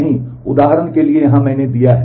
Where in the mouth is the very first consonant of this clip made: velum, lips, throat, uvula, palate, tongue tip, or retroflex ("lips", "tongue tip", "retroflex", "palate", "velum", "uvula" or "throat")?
throat